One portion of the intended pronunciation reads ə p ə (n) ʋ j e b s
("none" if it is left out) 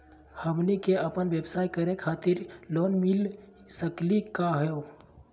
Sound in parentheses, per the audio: n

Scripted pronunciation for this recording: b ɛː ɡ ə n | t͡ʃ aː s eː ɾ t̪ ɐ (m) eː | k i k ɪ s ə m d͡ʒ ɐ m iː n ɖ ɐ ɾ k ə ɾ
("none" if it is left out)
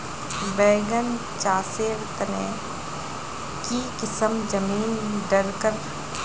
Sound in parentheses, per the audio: n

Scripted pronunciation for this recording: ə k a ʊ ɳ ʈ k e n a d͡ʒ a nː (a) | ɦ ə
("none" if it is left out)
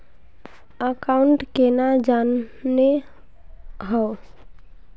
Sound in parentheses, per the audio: e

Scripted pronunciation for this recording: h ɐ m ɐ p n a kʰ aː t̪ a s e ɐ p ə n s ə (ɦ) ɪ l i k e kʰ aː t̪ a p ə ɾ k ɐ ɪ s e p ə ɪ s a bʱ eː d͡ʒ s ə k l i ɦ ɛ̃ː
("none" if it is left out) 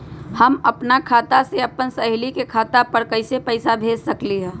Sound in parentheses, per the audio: ɦ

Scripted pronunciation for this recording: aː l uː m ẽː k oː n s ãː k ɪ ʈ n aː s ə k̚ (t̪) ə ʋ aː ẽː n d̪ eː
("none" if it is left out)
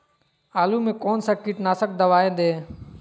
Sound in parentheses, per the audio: d̪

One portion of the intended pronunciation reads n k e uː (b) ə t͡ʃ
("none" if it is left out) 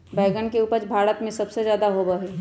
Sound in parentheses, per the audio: p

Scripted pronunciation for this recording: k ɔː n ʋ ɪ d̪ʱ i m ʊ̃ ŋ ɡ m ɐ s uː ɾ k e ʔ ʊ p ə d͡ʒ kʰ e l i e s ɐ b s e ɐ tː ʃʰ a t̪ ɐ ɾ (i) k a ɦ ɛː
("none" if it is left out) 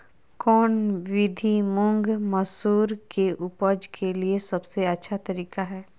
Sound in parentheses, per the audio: iː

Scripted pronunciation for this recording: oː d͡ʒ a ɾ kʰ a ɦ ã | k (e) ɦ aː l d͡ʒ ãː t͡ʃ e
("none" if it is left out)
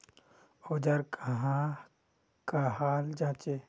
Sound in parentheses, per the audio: a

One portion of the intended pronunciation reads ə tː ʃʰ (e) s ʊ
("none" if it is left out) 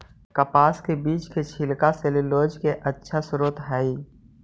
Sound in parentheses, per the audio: a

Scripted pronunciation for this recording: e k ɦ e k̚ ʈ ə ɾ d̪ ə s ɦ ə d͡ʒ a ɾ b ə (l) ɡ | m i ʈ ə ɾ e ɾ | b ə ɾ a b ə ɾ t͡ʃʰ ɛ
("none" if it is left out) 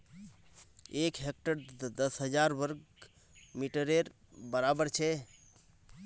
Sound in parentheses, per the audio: ɾ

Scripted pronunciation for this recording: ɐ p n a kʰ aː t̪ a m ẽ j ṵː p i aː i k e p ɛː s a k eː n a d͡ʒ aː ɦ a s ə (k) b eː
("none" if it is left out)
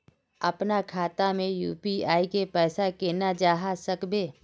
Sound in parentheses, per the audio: k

